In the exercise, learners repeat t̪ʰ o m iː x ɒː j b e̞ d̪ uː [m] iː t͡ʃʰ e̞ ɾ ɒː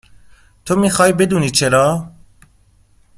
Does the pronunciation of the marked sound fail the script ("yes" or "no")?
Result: yes